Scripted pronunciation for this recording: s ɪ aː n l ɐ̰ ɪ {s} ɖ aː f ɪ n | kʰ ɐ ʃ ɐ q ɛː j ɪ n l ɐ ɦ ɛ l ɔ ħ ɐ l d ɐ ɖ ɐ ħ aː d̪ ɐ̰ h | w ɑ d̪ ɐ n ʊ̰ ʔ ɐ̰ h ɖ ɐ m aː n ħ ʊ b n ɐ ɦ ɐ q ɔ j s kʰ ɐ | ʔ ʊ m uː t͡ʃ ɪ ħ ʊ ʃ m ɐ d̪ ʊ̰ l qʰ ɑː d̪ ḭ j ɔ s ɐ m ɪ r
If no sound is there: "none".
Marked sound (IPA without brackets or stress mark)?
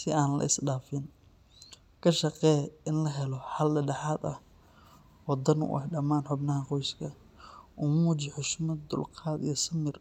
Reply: s